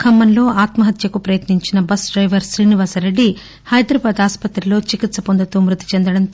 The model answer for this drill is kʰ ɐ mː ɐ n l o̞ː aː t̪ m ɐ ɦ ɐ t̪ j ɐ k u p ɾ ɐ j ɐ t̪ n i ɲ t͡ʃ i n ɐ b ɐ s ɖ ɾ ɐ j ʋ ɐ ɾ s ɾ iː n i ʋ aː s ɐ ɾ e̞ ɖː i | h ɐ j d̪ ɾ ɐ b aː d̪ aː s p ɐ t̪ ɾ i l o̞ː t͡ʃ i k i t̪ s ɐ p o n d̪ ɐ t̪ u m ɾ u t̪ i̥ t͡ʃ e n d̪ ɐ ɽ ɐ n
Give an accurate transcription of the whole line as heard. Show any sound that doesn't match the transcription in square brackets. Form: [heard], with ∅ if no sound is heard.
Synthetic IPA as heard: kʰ ɐ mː ɐ n l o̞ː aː t̪ m ɐ ɦ ɐ t̪ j ɐ k u p ɾ ɐ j ɐ t̪ n i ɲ t͡ʃ i n ɐ b ɐ s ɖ ɾ ɐ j ʋ ɐ ɾ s ɾ iː n i ʋ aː s ɐ ɾ e̞ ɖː i | h ɐ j d̪ ɾ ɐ b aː d̪ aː s p ɐ t̪ ɾ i l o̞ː t͡ʃ i k i t̪ s ɐ p o n d̪ ɐ t̪ u m ɾ u t̪ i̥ t͡ʃ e n d̪ ɐ ɽ ɐ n